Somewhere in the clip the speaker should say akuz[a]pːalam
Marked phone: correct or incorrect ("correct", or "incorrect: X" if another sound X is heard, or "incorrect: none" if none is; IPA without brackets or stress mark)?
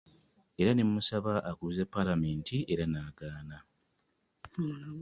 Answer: incorrect: e